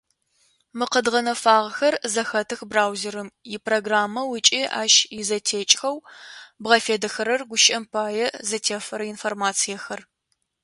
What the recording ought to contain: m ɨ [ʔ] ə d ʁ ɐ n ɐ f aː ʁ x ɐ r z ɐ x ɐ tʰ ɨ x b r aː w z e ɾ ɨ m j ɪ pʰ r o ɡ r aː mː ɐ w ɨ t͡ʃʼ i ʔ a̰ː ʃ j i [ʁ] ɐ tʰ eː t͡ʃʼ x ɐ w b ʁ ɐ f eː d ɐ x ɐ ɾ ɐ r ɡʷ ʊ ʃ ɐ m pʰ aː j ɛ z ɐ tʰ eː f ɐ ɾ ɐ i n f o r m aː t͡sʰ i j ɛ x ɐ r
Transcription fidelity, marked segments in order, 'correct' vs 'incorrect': incorrect, incorrect

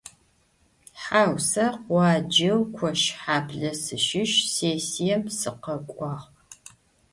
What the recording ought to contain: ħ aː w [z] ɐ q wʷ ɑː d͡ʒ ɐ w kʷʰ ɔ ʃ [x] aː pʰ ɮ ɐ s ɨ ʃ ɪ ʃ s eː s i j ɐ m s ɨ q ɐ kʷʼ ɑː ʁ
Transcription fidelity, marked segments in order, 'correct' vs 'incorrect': incorrect, incorrect

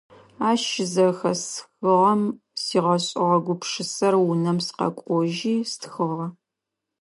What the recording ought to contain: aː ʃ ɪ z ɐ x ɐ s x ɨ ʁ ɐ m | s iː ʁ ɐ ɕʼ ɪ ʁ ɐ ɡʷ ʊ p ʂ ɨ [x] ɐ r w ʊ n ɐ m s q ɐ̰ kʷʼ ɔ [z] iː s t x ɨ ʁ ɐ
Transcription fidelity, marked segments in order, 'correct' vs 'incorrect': incorrect, incorrect

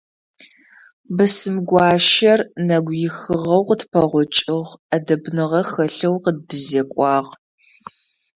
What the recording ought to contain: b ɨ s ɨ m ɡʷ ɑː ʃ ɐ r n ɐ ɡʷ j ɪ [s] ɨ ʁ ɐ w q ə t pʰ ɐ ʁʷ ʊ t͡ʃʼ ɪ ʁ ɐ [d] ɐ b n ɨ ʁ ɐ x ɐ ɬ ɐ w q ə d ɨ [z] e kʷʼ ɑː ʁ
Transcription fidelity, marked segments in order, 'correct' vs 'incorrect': incorrect, correct, correct

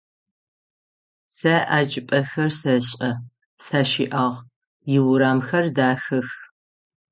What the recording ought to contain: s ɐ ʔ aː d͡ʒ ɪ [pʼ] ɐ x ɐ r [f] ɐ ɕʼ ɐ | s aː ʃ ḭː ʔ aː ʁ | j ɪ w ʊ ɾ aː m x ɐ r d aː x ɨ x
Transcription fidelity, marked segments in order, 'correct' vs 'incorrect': correct, incorrect

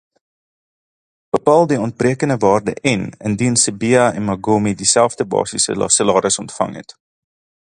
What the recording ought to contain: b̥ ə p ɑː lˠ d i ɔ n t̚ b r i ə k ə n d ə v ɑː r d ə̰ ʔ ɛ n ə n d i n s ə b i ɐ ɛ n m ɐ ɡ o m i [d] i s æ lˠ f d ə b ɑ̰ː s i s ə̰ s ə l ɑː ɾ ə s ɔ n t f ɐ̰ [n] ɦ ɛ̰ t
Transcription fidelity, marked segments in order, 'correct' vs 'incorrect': correct, incorrect

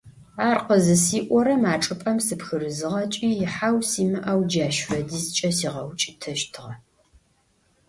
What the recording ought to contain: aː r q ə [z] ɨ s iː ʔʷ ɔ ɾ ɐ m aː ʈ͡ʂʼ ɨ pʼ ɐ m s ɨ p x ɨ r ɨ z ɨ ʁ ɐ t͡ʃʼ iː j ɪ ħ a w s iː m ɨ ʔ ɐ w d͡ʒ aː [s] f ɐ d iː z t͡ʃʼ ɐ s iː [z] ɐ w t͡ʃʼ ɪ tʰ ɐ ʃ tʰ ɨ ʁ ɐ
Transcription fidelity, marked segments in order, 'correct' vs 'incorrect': correct, incorrect, incorrect

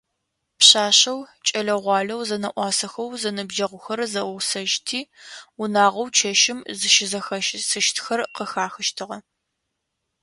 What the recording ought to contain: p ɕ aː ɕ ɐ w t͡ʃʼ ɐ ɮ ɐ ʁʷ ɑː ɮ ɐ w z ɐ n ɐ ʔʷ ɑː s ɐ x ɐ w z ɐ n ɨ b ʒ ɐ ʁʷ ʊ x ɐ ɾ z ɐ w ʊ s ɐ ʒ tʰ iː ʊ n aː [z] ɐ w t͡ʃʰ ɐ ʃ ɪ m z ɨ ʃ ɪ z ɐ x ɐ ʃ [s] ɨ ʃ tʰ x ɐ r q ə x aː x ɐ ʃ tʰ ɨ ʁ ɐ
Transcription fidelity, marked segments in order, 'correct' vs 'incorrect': incorrect, correct

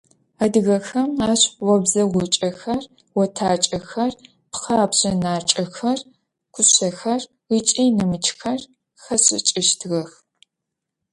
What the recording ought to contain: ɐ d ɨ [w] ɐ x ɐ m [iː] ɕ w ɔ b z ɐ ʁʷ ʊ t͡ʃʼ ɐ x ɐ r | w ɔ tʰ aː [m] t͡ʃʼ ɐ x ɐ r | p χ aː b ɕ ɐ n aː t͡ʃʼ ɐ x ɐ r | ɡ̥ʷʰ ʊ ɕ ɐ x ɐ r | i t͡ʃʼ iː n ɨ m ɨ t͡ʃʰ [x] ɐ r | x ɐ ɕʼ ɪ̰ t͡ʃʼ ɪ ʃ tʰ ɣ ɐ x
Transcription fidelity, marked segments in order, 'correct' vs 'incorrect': incorrect, incorrect, incorrect, correct

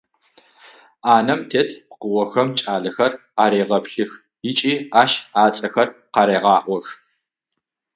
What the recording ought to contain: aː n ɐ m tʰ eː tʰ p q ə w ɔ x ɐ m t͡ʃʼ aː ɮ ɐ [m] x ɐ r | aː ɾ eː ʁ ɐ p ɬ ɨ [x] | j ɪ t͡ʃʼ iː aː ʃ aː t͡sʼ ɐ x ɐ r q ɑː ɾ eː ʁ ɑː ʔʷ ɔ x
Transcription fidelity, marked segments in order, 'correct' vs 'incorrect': incorrect, correct

